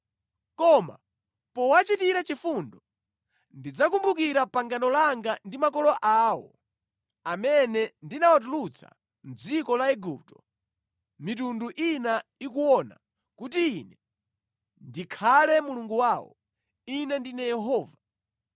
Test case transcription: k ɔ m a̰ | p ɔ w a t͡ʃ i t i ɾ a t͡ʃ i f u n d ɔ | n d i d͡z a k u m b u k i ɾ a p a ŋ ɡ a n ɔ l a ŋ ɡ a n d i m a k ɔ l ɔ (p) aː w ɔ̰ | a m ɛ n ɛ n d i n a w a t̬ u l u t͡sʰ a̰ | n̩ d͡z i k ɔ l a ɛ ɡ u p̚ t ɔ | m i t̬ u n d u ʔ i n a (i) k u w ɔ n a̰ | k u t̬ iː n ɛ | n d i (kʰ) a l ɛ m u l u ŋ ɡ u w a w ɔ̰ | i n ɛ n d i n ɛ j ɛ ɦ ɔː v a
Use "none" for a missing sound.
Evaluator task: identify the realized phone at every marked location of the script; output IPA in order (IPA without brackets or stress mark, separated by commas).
ʔ, i, kʰ